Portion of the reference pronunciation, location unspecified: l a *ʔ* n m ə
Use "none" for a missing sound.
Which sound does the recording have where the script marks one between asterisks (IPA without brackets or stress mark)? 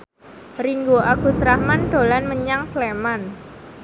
none